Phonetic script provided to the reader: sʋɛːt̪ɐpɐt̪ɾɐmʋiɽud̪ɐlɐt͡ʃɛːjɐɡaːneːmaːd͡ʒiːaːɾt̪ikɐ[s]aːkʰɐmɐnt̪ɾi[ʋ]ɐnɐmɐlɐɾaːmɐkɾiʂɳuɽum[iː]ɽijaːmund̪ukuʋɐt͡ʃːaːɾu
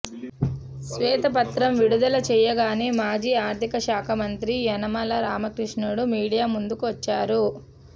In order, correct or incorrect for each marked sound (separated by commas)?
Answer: incorrect, incorrect, correct